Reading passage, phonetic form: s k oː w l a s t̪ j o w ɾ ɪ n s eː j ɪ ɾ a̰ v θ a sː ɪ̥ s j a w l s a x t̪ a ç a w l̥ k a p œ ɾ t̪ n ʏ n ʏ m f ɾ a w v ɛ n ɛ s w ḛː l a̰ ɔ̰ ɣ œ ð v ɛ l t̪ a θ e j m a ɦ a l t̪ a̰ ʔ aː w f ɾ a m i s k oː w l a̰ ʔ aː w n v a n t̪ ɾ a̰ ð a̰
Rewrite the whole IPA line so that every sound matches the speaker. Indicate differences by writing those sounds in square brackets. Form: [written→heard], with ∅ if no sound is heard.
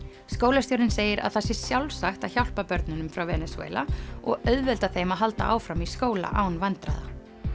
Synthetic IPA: s k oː w l a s t̪ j o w ɾ ɪ n s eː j ɪ ɾ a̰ [v→ð] θ a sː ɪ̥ s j a w l s a x t̪ a ç a w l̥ [k→p] a p œ ɾ t̪ n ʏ n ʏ m f ɾ a w v ɛ n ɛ s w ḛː l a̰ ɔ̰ ɣ œ ð v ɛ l t̪ a θ e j m a ɦ a l t̪ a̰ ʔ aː w f ɾ a m i s k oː w l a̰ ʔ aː w n v a n t̪ ɾ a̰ ð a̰